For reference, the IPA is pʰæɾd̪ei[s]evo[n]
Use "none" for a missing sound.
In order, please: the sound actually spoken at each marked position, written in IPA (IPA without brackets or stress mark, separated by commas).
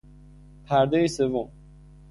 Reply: s, m